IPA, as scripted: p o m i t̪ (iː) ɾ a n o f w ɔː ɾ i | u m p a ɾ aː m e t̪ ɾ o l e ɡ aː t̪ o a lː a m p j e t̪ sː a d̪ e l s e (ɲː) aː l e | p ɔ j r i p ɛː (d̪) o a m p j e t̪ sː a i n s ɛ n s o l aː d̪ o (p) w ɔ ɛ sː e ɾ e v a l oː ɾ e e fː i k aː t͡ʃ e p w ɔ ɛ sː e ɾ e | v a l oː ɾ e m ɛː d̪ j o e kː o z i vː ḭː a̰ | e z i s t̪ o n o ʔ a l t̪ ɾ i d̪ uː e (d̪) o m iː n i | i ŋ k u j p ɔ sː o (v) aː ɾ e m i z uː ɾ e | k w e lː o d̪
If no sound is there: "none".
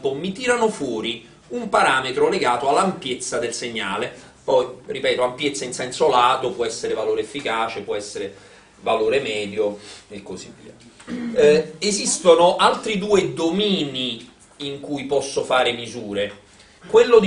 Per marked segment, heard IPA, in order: iː, ɲː, t̪, p, d̪, f

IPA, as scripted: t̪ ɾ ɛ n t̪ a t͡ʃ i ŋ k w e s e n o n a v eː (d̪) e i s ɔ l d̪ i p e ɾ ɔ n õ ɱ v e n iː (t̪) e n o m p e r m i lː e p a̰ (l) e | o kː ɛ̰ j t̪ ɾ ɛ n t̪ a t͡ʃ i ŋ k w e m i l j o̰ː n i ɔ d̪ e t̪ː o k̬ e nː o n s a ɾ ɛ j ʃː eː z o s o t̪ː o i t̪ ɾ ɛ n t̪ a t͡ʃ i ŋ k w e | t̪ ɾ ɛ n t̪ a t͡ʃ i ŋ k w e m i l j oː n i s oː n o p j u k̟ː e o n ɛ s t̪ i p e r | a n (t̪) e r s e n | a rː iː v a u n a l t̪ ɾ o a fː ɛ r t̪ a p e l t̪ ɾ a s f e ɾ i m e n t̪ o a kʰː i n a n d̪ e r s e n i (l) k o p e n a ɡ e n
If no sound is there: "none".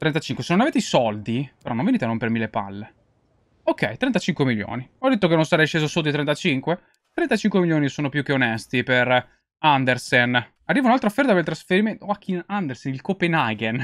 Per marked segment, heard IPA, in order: t̪, t̪, lː, d̪, l

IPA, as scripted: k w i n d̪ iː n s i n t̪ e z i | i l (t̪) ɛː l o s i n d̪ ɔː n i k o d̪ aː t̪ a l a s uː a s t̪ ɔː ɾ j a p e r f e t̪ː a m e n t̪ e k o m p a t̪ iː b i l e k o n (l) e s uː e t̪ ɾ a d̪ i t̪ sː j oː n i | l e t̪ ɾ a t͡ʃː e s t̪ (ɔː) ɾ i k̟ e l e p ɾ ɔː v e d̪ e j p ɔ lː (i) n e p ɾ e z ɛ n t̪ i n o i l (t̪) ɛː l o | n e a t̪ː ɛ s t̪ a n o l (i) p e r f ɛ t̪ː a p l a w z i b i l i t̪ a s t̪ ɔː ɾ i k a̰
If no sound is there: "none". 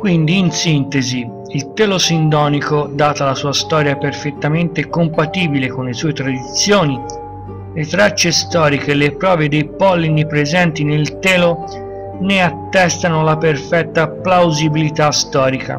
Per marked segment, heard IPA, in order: t̪, l, ɔː, i, t̪, a

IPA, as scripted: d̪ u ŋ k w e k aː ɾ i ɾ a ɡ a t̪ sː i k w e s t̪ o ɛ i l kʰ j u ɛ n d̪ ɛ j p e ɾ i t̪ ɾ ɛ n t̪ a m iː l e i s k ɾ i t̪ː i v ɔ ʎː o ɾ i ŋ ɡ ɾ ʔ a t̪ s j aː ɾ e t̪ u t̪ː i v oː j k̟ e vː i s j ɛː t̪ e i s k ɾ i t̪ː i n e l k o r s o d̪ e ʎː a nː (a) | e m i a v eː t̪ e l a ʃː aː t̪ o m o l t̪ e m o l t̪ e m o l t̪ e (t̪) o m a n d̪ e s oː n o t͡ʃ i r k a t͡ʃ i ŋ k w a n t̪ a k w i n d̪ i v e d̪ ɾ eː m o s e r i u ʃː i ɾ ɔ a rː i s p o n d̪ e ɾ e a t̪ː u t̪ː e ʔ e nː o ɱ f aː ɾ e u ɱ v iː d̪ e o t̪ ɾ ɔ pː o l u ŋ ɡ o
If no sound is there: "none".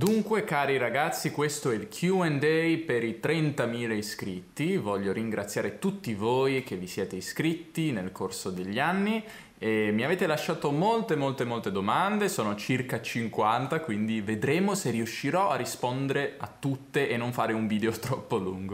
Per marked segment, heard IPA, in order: i, d̪

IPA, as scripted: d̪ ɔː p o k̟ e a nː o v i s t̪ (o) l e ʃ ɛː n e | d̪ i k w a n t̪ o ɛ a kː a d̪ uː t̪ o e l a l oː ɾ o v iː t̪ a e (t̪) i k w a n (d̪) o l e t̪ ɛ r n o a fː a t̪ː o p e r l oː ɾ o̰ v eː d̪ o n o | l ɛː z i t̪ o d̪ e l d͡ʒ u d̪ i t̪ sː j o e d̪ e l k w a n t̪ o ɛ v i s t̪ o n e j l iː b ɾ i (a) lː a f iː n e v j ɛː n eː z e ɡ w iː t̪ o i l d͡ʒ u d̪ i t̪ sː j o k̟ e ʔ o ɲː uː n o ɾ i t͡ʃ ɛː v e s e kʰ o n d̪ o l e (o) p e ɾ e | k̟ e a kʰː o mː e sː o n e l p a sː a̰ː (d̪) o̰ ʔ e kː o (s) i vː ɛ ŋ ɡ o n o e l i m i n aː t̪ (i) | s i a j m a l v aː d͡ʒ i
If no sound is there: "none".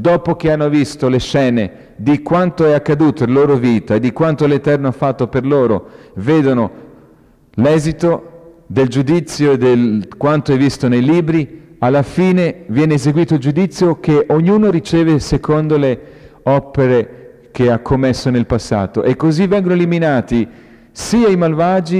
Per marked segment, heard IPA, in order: o, d̪, t̪, a, ɔ, t̪, z, i

